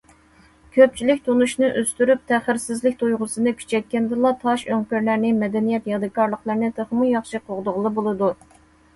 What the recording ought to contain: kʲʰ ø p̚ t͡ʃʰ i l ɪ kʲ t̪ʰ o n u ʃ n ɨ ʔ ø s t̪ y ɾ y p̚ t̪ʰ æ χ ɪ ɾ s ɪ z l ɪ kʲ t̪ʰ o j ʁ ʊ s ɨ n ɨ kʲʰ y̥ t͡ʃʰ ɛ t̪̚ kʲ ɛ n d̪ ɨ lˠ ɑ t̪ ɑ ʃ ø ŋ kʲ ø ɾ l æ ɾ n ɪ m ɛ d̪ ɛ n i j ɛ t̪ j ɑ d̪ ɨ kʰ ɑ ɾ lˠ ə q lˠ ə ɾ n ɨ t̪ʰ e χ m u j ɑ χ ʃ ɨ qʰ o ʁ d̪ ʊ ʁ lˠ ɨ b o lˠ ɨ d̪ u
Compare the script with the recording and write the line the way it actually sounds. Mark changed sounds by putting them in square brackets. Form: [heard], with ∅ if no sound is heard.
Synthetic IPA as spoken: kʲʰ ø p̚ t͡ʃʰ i l ɪ kʲ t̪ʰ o n u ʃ n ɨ ʔ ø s t̪ y ɾ y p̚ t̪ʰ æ χ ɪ ɾ s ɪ z l ɪ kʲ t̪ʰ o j ʁ ʊ s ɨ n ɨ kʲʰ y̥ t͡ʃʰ ɛ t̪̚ kʲ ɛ n d̪ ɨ lˠ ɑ [t̪ʰ] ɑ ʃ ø ŋ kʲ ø ɾ l æ ɾ n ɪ m ɛ d̪ ɛ n i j ɛ t̪ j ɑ d̪ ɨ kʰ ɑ ɾ lˠ ə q lˠ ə ɾ n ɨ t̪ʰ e χ m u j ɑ χ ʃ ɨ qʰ o ʁ d̪ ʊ ʁ lˠ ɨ b o lˠ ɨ d̪ u